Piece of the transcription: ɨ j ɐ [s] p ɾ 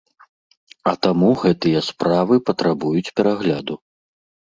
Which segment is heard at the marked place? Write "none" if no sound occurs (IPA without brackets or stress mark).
s